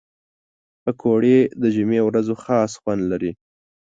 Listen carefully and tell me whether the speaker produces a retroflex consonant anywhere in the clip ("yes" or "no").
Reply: yes